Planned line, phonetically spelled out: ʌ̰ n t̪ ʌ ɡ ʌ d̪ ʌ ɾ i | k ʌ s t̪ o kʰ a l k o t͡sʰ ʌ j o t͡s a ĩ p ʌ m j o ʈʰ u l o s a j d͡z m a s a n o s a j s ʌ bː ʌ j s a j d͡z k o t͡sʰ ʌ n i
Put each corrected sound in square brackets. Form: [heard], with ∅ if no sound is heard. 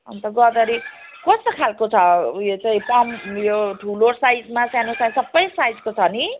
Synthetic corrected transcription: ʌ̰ n t̪ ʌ ɡ ʌ d̪ ʌ ɾ i | k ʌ s t̪ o kʰ a l k o t͡sʰ ʌ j o t͡s a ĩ p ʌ m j o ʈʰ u l o s a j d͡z m a s a n o s a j s ʌ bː ʌ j s a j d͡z k o t͡sʰ ʌ n i